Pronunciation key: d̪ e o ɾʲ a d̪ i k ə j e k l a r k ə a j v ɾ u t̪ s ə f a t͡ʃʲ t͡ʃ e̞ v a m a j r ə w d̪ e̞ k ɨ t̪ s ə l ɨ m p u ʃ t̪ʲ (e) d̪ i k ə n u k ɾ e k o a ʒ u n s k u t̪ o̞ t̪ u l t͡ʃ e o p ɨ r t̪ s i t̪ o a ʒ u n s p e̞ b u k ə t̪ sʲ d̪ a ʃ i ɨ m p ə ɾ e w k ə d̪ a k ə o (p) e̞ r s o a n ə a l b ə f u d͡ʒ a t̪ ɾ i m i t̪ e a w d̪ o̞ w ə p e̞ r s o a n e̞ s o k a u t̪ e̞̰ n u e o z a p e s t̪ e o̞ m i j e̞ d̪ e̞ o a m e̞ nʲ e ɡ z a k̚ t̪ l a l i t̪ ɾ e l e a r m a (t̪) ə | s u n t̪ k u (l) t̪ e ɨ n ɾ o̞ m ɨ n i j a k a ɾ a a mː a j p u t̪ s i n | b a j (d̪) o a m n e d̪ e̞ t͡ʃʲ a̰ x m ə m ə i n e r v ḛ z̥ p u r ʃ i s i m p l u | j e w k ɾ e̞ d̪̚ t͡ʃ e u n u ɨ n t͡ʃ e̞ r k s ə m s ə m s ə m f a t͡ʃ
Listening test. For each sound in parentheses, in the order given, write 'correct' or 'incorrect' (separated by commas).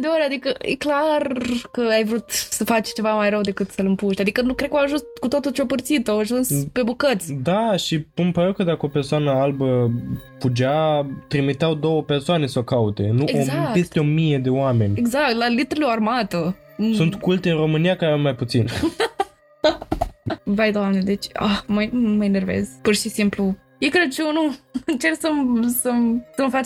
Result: incorrect, correct, correct, correct, correct